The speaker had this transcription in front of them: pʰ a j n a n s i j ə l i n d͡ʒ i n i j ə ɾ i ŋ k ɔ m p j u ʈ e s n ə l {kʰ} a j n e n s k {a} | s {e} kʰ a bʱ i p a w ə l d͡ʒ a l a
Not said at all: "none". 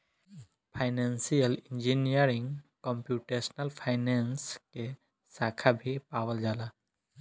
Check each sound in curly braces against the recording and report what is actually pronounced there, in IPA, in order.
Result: pʰ, e, a

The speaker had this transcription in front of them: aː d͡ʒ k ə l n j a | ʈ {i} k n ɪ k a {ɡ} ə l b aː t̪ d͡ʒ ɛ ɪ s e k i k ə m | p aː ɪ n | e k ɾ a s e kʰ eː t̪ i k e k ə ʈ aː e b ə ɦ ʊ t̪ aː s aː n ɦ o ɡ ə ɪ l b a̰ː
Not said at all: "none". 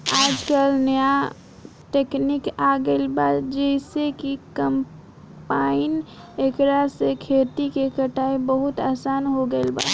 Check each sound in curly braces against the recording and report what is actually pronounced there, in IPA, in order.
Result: e, ɡ

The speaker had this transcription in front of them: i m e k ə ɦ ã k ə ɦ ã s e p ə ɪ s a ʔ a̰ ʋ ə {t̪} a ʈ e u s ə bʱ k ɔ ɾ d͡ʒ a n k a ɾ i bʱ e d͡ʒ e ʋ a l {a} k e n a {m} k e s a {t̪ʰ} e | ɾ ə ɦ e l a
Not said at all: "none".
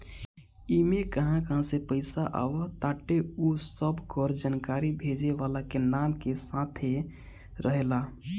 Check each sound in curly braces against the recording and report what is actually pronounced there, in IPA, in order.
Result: t̪, a, m, t̪ʰ

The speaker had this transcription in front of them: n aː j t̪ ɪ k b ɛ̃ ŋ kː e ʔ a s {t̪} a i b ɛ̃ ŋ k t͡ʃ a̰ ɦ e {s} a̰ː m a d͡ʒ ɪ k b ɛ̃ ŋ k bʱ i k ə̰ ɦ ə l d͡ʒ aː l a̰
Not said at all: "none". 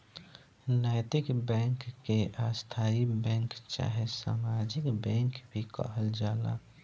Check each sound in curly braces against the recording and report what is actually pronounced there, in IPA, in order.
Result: t̪ʰ, s

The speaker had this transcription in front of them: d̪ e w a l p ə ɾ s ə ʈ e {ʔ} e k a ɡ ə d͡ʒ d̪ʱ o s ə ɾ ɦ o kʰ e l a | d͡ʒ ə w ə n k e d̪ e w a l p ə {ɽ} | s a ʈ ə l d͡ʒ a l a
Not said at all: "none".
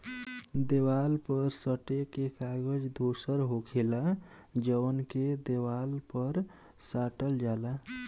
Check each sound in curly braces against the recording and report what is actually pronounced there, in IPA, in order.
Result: k, ɾ

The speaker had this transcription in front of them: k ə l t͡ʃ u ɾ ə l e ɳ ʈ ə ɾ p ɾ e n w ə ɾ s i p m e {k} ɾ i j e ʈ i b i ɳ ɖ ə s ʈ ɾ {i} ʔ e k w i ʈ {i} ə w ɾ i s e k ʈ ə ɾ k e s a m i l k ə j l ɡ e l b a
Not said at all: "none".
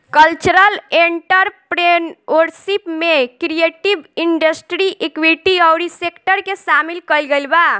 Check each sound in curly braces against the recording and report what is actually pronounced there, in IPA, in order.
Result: k, i, i

